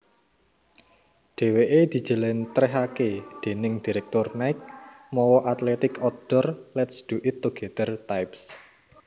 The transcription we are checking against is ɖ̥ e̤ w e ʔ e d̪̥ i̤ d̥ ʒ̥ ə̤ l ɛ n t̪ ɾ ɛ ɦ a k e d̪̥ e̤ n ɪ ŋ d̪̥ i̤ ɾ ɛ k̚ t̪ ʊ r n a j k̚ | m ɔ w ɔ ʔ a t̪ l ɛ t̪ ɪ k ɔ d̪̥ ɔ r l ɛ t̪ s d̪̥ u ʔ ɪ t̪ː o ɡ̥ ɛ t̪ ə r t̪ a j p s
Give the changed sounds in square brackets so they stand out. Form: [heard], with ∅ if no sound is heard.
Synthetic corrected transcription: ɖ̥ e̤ w e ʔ e d̪̥ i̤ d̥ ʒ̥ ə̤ l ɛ n t̪ ɾ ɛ ɦ a k e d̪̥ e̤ n ɪ ŋ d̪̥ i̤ ɾ ɛ k̚ t̪ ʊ r n a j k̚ | m ɔ w ɔ ʔ a t̪ l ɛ t̪ ɪ k ɔ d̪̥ ɔ r l ɛ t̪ s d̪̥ u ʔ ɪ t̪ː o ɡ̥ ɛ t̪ ə r t̪ a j p s